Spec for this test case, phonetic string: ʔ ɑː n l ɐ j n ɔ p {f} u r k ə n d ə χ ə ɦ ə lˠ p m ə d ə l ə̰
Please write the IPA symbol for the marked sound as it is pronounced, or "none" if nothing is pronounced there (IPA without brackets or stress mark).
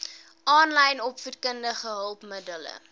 f